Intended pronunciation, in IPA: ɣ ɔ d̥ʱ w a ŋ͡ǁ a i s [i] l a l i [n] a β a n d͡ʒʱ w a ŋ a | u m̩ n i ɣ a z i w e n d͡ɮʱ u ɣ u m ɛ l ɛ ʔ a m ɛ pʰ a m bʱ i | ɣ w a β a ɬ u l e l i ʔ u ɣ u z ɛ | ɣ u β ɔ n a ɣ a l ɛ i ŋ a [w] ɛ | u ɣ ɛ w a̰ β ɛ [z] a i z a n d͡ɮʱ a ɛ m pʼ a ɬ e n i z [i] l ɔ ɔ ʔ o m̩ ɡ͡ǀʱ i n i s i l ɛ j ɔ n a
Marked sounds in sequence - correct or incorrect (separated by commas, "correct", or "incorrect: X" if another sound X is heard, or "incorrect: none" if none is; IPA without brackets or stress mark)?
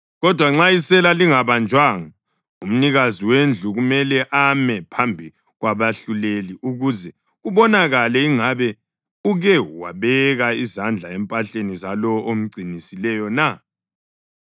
incorrect: ɛ, incorrect: ŋ, incorrect: β, incorrect: ɣ, incorrect: a